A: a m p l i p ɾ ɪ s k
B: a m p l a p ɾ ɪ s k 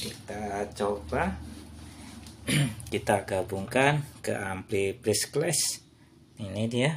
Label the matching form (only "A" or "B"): A